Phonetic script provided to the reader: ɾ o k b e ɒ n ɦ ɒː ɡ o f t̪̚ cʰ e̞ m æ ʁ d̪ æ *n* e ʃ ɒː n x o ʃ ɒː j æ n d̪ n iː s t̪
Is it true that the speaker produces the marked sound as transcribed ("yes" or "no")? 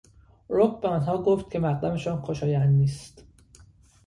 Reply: no